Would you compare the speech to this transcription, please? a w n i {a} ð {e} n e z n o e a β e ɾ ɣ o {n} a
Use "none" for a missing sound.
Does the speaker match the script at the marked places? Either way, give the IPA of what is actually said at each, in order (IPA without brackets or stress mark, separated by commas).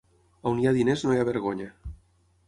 a, i, ɲ